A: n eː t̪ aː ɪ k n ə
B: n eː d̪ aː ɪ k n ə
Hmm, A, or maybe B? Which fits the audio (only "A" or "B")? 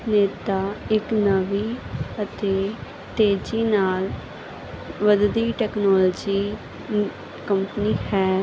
A